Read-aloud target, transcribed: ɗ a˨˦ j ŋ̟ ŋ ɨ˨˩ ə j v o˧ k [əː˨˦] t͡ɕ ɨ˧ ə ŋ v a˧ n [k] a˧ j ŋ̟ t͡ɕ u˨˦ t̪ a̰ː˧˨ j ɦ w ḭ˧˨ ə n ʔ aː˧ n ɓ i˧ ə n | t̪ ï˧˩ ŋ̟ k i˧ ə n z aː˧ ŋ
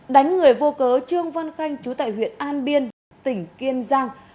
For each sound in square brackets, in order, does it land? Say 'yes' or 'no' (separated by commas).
yes, no